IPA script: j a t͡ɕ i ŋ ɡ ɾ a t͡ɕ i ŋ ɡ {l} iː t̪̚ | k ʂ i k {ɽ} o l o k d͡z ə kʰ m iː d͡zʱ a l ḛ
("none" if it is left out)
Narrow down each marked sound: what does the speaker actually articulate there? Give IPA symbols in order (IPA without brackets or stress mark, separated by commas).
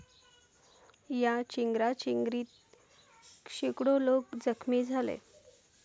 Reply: ɾ, ɽ